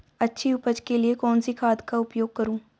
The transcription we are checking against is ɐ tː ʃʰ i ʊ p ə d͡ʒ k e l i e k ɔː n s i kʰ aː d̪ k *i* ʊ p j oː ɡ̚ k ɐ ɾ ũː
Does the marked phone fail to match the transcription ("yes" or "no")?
yes